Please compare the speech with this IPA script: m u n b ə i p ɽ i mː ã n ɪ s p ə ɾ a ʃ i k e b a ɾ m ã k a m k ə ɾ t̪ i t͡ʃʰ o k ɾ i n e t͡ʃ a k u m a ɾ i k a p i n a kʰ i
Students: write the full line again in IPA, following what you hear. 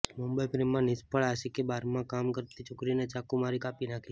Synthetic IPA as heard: m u m b ə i p ɾ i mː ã n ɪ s p ə ɭ a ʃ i k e b a ɾ m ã k a m k ə ɾ t̪ i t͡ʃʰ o k ɾ i n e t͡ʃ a k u m a ɾ i k a p i n a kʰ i